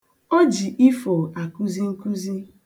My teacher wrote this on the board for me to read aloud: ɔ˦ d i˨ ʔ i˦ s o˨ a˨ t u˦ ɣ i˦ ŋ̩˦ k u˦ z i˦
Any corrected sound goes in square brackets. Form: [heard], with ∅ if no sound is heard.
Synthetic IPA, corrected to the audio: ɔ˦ [d͡ʒ] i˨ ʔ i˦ [f] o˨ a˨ [k] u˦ [z] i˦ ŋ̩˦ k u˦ z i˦